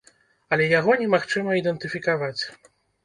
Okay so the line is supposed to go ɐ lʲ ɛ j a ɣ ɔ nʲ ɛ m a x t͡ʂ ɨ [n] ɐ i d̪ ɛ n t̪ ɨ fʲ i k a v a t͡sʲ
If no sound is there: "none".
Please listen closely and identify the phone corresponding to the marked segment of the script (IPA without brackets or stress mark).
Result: m